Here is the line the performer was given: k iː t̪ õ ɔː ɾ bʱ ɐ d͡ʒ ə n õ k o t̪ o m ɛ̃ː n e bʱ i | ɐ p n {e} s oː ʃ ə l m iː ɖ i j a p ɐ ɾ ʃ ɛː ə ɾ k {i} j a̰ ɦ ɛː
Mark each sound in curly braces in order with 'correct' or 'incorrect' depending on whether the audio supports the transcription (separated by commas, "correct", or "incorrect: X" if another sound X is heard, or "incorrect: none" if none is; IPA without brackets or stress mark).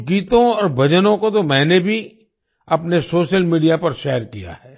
correct, correct